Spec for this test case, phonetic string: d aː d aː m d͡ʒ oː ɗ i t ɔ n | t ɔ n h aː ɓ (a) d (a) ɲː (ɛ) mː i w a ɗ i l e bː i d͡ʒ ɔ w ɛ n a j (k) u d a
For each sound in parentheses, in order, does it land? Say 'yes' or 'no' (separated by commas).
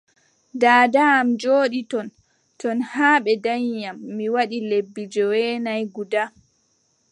no, yes, no, no